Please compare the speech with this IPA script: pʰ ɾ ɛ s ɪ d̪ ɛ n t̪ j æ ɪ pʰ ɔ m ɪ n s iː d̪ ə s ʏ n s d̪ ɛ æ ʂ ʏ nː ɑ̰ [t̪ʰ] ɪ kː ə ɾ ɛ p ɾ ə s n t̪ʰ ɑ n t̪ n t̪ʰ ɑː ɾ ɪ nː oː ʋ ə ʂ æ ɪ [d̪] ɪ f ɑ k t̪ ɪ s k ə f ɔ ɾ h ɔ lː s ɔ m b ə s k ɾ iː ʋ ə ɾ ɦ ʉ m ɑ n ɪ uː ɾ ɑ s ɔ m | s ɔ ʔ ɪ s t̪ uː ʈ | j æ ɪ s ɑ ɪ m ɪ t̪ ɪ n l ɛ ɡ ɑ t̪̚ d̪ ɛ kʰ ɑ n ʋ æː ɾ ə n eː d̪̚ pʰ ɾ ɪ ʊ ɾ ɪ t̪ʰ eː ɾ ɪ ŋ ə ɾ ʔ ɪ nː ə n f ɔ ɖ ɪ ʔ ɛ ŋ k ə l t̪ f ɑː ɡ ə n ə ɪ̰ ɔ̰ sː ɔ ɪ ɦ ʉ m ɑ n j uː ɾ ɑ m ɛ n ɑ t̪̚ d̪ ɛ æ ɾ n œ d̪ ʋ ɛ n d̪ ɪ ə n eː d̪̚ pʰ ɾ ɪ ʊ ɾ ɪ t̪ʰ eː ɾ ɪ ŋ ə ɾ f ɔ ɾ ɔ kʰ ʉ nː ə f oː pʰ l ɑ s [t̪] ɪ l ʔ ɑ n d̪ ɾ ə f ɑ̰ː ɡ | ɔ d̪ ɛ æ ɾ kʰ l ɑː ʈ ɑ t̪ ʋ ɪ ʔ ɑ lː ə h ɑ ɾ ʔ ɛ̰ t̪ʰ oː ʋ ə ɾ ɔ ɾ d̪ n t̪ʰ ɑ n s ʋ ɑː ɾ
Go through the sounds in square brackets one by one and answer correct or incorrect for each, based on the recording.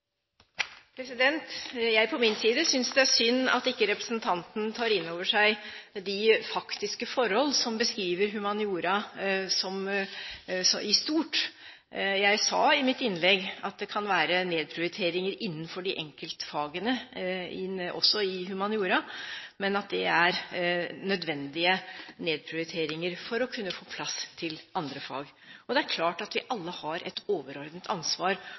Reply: incorrect: t̪, correct, incorrect: t̪ʰ

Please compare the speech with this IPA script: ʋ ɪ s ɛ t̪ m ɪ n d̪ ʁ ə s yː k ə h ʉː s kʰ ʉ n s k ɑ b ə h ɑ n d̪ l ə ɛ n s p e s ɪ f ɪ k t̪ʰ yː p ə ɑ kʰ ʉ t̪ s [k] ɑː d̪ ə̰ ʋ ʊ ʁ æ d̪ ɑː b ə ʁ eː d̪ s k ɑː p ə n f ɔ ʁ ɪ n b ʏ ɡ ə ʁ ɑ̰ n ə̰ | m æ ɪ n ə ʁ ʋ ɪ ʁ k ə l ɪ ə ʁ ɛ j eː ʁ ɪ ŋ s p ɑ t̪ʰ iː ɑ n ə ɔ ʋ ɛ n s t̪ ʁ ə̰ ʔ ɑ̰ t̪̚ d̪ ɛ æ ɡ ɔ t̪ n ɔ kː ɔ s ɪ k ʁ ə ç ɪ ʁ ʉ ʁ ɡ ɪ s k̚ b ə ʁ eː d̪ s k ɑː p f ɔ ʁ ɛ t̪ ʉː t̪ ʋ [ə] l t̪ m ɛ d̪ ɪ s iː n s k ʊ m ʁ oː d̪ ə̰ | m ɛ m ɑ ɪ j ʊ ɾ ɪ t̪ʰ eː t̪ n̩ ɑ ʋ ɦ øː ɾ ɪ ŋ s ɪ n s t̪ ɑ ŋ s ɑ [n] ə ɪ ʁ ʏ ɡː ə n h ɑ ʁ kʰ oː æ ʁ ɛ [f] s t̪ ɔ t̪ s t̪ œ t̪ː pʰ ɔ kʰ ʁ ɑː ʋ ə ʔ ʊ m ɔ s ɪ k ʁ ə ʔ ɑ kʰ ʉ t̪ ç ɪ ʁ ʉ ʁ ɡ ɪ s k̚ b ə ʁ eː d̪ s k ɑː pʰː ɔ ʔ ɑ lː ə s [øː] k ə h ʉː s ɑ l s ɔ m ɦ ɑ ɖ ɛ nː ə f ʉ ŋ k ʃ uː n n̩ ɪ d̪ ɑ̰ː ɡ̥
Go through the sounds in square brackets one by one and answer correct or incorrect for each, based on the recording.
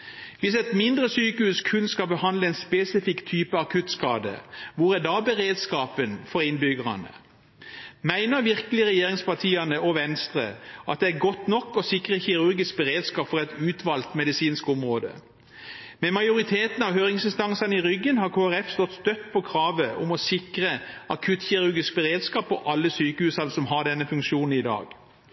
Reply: correct, incorrect: ɑ, correct, correct, incorrect: yː

